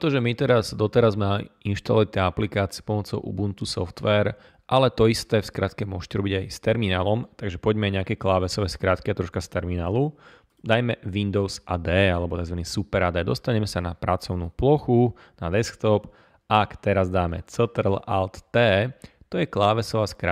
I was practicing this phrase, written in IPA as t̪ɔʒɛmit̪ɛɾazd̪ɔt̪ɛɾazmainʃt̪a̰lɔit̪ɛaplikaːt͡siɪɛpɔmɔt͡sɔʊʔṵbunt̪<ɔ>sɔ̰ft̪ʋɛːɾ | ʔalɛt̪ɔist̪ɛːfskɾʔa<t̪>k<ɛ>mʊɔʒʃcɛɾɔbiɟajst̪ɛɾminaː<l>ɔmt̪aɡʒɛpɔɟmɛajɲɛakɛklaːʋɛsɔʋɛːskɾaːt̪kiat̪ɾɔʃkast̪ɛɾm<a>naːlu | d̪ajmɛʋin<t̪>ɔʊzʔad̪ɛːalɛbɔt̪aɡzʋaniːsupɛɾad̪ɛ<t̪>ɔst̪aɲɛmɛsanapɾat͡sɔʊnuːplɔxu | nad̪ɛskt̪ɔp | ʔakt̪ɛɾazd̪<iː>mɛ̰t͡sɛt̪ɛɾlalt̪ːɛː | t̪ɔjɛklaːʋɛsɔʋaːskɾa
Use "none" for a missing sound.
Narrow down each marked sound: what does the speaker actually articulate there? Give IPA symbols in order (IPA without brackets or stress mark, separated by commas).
u, t̪, ɛ, l, i, d̪, d̪, aː